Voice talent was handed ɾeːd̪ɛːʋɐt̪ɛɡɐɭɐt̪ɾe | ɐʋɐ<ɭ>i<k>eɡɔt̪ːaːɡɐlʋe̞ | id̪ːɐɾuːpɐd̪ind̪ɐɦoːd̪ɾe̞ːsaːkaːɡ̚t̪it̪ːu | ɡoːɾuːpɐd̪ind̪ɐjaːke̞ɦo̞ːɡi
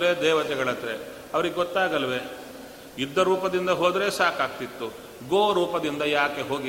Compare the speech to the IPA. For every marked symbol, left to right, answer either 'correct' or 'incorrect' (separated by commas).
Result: incorrect, incorrect